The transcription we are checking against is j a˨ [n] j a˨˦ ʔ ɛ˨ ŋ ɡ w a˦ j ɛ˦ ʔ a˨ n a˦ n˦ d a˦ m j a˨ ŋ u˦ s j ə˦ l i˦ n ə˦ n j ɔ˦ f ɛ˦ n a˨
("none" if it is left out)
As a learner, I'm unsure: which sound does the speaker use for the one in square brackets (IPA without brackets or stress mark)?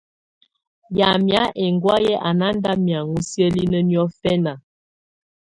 m